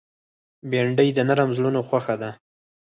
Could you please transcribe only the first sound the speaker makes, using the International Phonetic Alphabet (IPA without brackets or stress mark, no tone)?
b